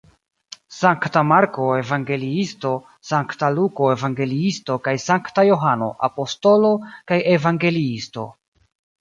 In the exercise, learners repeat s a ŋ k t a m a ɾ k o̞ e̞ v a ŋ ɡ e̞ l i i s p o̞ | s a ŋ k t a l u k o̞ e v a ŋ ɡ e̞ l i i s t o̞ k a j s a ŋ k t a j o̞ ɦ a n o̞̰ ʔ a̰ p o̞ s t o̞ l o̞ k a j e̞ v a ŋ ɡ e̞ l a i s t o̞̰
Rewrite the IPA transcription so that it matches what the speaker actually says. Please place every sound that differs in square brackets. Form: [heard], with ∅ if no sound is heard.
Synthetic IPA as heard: s a ŋ k t a m a ɾ k o̞ e̞ v a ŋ ɡ e̞ l i i s [t] o̞ | s a ŋ k t a l u k o̞ e v a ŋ ɡ e̞ l i i s t o̞ k a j s a ŋ k t a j o̞ ɦ a n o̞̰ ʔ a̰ p o̞ s t o̞ l o̞ k a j e̞ v a ŋ ɡ e̞ l [i] i s t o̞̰